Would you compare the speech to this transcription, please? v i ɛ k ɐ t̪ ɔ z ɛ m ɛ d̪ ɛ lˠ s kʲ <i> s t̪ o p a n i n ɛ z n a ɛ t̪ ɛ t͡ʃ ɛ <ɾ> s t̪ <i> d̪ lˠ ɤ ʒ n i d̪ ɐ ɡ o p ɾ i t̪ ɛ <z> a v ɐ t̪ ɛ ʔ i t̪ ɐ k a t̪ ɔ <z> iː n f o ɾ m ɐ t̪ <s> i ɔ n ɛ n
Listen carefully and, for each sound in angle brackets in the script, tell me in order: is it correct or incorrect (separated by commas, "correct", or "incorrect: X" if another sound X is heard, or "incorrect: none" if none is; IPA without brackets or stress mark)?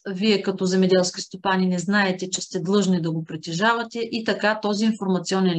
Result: correct, incorrect: none, incorrect: ɛ, incorrect: ʒ, correct, correct